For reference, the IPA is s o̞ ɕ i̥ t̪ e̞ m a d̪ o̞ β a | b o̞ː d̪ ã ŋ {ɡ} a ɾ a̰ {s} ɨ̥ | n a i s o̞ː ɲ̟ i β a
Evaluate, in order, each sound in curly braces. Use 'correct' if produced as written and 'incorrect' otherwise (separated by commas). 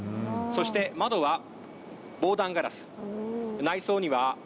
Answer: correct, correct